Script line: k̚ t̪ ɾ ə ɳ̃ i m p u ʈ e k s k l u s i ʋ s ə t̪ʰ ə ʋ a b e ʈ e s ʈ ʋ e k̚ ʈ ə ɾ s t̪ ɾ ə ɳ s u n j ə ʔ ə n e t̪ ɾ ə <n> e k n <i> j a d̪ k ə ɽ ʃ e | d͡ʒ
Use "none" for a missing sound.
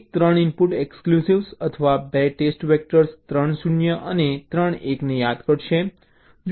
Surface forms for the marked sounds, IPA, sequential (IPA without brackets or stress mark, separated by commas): ɳ, e